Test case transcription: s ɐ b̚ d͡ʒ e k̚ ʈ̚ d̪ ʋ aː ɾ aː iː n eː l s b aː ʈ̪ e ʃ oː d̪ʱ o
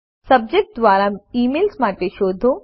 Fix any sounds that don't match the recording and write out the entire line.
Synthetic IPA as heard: s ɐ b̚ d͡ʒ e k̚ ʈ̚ d̪ ʋ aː ɾ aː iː m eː l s m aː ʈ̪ e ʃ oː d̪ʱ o